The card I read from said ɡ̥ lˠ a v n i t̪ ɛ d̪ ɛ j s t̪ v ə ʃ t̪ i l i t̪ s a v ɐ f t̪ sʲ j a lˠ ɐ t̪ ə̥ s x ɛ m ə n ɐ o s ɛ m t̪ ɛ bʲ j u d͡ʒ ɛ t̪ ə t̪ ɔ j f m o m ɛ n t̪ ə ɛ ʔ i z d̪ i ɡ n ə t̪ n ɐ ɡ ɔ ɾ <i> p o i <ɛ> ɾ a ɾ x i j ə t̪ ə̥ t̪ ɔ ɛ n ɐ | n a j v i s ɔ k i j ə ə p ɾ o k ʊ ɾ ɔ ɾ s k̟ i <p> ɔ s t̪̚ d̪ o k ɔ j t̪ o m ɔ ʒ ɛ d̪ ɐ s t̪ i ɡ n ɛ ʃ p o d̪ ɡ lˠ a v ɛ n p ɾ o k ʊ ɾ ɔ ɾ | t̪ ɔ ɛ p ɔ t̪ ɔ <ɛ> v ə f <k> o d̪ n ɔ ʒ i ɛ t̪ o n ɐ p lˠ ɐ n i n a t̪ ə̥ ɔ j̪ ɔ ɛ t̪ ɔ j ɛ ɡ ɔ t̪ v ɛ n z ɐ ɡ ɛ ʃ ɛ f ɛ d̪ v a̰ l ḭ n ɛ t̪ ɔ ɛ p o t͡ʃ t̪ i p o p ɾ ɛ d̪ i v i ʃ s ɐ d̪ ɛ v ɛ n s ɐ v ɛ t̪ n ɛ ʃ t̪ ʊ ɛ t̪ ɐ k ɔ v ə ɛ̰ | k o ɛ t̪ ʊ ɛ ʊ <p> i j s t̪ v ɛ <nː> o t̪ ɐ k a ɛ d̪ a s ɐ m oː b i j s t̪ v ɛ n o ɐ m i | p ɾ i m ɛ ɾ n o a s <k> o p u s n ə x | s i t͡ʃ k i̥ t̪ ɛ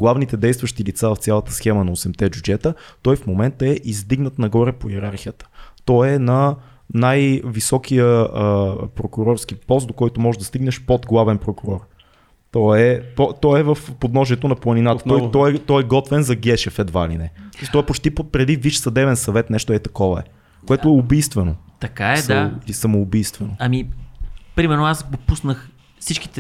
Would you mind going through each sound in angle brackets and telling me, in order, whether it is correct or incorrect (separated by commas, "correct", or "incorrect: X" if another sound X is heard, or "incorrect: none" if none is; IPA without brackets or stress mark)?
incorrect: ɛ, correct, correct, correct, incorrect: p, incorrect: b, incorrect: n, incorrect: ɡ